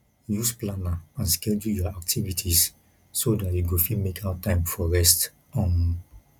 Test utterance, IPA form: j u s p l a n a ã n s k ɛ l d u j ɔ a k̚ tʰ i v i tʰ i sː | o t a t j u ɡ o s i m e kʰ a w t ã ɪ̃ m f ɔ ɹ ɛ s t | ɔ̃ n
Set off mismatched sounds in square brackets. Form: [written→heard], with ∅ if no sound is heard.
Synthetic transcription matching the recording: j u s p l a n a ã n s k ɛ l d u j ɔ a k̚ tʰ i v i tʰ i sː | o [t→d] a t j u ɡ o [s→f] i m e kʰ a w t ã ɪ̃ m f ɔ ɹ ɛ s t | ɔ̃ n